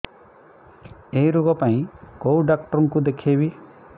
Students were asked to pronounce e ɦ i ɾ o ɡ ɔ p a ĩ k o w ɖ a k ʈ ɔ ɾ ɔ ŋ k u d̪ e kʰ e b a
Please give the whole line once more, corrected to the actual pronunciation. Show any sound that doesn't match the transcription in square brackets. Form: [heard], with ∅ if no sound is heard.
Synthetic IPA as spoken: e ɦ i ɾ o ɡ ɔ p a ĩ k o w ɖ a k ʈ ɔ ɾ ɔ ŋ k u d̪ e kʰ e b [i]